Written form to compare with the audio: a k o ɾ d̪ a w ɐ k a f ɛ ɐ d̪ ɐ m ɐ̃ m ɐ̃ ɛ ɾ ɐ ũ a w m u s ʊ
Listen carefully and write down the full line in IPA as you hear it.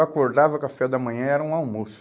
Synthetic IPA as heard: a k o ɾ d̪ a v ɐ k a f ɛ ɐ d̪ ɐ m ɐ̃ ɲ ɐ̃ ɛ ɾ ɐ ũ a w m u s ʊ